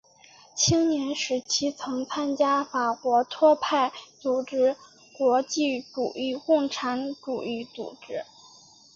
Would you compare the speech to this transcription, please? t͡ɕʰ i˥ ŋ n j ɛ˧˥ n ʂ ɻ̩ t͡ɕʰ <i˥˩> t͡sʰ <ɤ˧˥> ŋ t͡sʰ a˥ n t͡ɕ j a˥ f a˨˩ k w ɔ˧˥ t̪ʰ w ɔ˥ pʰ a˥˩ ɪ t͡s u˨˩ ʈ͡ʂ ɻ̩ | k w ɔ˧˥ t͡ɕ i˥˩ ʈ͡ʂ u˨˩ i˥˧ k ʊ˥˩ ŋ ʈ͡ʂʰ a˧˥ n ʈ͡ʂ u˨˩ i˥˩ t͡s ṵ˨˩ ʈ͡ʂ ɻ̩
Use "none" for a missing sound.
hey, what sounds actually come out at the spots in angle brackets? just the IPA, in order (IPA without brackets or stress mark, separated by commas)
i˥, ɤ˧˥